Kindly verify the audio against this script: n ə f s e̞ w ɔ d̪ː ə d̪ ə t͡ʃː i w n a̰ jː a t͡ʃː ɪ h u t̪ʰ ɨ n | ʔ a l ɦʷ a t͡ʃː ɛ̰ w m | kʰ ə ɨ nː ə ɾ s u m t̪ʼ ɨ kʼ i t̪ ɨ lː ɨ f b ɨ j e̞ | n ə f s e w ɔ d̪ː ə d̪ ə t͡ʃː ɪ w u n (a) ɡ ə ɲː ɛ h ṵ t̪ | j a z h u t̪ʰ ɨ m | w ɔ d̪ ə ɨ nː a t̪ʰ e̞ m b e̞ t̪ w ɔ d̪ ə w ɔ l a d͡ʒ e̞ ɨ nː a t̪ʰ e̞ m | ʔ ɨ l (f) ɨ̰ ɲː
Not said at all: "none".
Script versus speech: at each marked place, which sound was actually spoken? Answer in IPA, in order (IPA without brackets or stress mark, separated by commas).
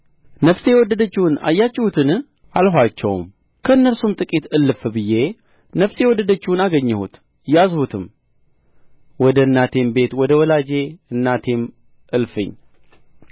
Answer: a, f